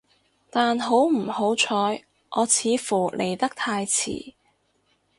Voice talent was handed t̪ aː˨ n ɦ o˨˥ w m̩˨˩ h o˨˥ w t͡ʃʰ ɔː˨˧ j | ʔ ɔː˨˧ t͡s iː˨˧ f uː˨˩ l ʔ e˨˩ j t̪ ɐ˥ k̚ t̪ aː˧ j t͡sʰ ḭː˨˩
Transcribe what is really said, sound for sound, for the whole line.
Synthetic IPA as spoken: t̪ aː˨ n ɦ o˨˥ w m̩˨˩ h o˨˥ w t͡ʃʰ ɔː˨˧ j | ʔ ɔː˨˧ t͡sʰ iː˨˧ f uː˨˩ l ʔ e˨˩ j t̪ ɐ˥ k̚ t̪ʰ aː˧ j t͡sʰ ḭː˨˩